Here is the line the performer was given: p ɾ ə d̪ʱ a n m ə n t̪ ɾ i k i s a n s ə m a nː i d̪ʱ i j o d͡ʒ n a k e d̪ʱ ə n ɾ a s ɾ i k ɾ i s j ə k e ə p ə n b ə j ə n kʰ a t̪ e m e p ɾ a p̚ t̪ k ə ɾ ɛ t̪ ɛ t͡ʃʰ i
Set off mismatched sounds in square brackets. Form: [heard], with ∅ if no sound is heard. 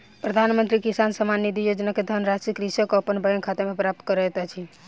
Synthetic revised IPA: p ɾ ə d̪ʱ a n m ə n t̪ ɾ i k i s a n s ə m a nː i d̪ʱ i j o d͡ʒ n a k e d̪ʱ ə n ɾ a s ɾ i k ɾ i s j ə k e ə p ə n b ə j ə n kʰ a t̪ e m e p ɾ a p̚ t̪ k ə ɾ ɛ t̪ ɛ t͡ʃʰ i